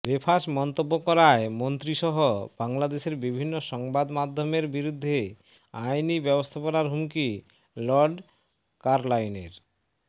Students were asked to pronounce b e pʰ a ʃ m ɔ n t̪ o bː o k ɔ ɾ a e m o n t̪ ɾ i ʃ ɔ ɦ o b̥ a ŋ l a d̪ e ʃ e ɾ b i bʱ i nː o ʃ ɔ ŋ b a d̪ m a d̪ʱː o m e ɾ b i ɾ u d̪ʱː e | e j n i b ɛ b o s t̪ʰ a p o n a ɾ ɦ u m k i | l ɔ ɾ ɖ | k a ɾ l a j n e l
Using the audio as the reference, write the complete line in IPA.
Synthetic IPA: b e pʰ a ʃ m ɔ n t̪ o bː o k ɔ ɾ a e m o n t̪ ɾ i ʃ ɔ ɦ o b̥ a ŋ l a d̪ e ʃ e ɾ b i bʱ i nː o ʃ ɔ ŋ b a d̪ m a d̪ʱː o m e ɾ b i ɾ u d̪ʱː e | a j n i b ɛ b o s t̪ʰ a p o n a ɾ ɦ u m k i | l ɔ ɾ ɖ | k a ɾ l a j n e ɾ